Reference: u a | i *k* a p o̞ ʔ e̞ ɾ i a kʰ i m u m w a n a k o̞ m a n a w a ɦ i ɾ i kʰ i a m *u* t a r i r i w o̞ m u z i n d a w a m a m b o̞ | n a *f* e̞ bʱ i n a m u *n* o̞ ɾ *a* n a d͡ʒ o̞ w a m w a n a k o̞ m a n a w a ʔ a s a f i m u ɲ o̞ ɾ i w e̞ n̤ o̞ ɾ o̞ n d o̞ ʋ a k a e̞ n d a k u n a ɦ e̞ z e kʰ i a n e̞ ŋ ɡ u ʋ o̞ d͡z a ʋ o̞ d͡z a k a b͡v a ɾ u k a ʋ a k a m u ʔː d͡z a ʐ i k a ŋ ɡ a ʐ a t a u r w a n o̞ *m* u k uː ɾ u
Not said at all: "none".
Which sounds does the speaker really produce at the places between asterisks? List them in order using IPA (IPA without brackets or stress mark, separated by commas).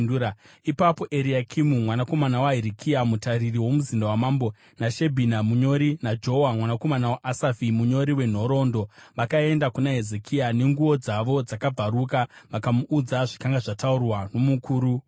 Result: p, u, ʃ, ɲ, i, m